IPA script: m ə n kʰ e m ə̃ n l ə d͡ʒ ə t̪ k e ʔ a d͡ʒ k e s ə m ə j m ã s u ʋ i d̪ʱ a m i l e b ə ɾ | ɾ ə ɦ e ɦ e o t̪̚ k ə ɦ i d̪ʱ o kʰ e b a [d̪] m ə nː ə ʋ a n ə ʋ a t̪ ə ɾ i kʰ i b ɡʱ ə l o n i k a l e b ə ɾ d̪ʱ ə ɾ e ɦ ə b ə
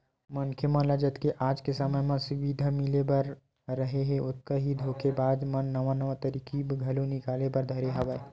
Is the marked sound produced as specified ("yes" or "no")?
yes